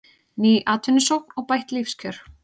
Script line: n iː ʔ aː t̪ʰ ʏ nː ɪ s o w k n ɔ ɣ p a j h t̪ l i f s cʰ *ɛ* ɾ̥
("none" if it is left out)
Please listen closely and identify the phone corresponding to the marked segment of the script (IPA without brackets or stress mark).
œ